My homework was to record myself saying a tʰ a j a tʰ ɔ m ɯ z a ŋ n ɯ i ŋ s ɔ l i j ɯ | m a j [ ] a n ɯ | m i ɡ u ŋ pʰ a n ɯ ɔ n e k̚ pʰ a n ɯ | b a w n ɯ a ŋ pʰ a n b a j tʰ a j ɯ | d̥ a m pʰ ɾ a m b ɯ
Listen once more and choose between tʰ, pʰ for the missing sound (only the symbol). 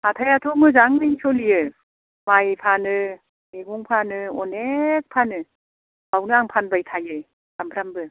pʰ